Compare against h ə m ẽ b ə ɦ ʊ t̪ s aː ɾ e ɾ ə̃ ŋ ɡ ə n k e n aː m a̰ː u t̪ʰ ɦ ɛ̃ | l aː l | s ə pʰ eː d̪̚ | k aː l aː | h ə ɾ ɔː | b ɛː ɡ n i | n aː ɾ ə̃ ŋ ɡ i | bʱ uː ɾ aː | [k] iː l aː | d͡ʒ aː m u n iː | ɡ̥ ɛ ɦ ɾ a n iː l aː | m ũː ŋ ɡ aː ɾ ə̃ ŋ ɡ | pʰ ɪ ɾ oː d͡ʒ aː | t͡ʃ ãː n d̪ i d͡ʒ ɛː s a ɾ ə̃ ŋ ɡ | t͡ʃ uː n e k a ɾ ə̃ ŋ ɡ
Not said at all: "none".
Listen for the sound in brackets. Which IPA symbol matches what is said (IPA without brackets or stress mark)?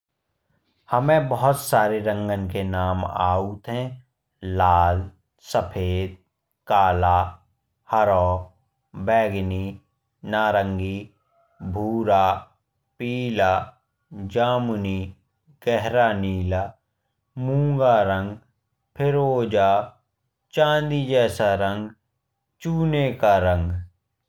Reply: p